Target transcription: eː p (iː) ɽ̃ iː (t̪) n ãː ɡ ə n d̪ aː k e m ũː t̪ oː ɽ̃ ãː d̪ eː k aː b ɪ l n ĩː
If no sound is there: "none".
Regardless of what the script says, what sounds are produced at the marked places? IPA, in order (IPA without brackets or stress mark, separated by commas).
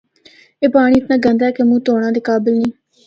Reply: aː, t̪